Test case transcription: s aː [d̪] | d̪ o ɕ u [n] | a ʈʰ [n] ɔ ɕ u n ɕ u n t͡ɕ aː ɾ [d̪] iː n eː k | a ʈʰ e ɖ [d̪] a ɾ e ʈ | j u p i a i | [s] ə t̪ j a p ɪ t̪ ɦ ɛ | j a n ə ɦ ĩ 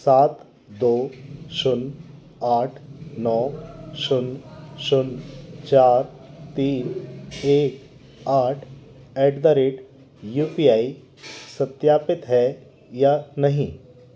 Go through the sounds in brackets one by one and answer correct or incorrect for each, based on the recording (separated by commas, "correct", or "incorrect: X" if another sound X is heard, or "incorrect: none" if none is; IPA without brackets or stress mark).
incorrect: t̪, correct, correct, incorrect: t̪, correct, correct